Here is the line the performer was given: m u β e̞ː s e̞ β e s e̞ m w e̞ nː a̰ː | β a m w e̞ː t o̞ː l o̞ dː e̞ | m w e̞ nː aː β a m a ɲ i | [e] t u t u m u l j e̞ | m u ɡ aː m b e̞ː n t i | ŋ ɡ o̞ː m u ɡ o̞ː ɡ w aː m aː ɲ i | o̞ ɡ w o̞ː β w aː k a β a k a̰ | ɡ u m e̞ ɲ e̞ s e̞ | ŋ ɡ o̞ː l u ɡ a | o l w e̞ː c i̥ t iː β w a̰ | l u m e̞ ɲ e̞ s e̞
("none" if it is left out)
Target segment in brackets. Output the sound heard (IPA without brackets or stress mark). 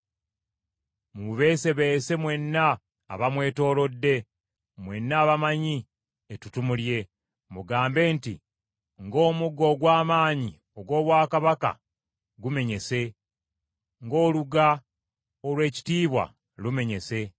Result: e